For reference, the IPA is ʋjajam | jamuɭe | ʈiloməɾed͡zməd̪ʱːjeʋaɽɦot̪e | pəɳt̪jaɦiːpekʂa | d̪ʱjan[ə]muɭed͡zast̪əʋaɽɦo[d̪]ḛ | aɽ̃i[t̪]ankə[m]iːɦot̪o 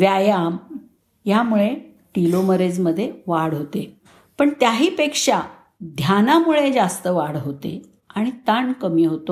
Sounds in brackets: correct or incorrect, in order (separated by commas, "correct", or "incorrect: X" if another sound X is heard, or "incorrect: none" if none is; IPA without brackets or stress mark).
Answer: incorrect: a, incorrect: t̪, correct, correct